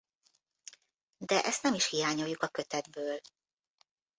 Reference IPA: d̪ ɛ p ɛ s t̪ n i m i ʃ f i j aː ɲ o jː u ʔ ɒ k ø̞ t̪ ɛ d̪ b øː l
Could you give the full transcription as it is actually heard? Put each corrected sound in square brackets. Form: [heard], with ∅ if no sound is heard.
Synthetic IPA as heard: d̪ ɛ [ʔ] ɛ s t̪ n [ɛ] m i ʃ [h] i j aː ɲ o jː u [k] ɒ k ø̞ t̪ ɛ d̪ b øː l

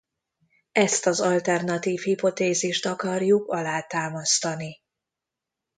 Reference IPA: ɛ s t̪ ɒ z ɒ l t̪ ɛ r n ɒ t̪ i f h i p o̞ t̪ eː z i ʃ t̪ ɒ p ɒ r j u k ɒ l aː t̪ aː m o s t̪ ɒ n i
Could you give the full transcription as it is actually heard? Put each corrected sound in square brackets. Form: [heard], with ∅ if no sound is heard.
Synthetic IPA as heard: ɛ s t̪ ɒ z ɒ l t̪ ɛ r n ɒ t̪ [iː] f h i p o̞ t̪ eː z i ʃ t̪ ɒ [k] ɒ r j u k ɒ l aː t̪ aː m [ɒ] s t̪ ɒ n i

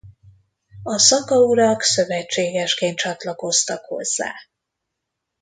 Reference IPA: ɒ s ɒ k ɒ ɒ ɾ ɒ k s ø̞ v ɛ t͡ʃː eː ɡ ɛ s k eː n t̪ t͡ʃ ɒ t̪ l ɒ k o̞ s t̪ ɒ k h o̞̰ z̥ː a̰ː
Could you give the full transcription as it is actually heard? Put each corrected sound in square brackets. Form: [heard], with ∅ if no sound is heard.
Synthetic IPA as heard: ɒ s ɒ k ɒ [u] ɾ ɒ k s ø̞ v ɛ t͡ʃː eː ɡ ɛ [ʃ] k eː n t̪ t͡ʃ ɒ t̪ l ɒ k o̞ s t̪ ɒ k h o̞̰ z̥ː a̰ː

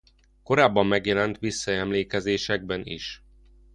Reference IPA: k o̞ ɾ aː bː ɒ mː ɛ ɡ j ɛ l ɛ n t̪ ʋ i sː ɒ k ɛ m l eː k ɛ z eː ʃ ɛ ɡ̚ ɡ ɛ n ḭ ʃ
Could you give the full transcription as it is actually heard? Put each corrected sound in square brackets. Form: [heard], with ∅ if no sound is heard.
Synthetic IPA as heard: k o̞ ɾ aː bː ɒ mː ɛ ɡ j ɛ l ɛ n t̪ ʋ i sː ɒ [∅] ɛ m l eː k ɛ z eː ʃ ɛ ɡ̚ [b] ɛ n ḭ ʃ

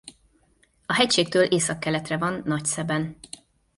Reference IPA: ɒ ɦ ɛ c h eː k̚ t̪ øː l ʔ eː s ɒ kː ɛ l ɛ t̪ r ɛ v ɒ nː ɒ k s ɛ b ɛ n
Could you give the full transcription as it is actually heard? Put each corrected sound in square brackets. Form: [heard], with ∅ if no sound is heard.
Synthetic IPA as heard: ɒ ɦ ɛ c [ʃ] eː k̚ t̪ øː l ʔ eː s ɒ kː ɛ l ɛ t̪ r ɛ v ɒ nː ɒ [c] s ɛ b ɛ n

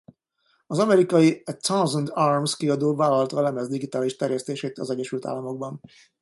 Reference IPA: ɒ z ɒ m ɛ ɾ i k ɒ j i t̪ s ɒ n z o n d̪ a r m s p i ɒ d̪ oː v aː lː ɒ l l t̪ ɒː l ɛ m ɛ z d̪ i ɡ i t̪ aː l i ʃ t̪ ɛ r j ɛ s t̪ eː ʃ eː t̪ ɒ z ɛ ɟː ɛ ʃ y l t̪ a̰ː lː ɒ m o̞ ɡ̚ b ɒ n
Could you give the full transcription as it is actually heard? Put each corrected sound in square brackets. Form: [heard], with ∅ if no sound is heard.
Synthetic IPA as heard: ɒ z ɒ m ɛ ɾ i k ɒ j i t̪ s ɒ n z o n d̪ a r m s [k] i ɒ d̪ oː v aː [l] ɒ l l t̪ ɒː l ɛ m ɛ z d̪ i ɡ i t̪ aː l i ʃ t̪ ɛ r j ɛ s t̪ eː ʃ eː t̪ ɒ z ɛ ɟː ɛ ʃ y l t̪ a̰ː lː ɒ m o̞ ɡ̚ b ɒ n

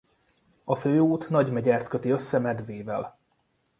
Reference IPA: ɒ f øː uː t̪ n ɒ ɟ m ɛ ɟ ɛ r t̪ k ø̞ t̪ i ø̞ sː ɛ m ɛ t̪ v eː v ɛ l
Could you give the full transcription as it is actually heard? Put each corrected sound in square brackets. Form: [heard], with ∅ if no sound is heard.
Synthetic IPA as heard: ɒ f øː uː t̪ n ɒ ɟ m ɛ ɟ ɛ r t̪ k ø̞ t̪ i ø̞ sː ɛ m ɛ [d̪] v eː v ɛ l

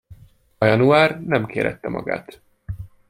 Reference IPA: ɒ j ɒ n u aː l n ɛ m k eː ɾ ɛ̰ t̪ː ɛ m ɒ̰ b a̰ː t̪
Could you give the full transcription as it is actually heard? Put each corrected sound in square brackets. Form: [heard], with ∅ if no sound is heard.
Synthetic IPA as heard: ɒ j ɒ n u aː [r] n ɛ m k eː ɾ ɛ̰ t̪ː ɛ m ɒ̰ [ɡ] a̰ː t̪

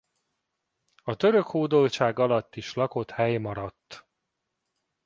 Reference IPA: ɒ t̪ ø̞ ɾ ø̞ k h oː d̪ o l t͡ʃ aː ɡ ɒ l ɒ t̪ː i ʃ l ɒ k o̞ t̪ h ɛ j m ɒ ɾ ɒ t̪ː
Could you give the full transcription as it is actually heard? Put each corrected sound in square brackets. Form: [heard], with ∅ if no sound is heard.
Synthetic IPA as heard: ɒ t̪ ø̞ ɾ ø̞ k h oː d̪ o l t͡ʃ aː ɡ ɒ l ɒ t̪ː i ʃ l ɒ k o̞ t̪ h ɛ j m ɒ ɾ ɒ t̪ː

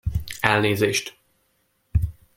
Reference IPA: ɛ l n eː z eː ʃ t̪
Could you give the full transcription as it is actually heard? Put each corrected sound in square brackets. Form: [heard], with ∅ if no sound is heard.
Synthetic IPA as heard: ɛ l n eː z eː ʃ t̪

